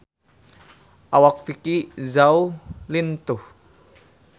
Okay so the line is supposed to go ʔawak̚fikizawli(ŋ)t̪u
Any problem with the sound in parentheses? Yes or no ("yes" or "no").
yes